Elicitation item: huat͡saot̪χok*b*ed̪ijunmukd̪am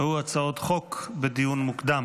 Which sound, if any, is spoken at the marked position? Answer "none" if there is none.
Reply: b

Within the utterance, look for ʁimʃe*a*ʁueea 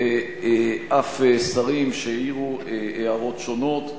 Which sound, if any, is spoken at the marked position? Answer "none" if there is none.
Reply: i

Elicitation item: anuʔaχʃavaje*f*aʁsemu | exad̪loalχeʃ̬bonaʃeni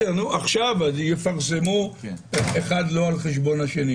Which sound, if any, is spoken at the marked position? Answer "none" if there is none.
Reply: f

